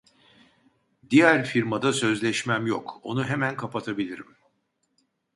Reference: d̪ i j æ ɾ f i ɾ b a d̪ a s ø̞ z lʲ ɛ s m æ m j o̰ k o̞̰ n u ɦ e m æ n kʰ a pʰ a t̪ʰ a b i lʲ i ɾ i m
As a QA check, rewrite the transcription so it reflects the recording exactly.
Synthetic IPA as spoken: d̪ i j æ ɾ f i ɾ m a d̪ a s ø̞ z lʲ ɛ ʃ m æ m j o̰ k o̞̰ n u ɦ e m æ n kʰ a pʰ a t̪ʰ a b i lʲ i ɾ i m